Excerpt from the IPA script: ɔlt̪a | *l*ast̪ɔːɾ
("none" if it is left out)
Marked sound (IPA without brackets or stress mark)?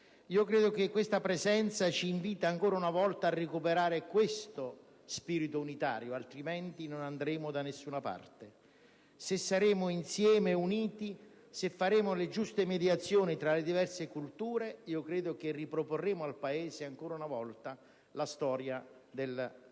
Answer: l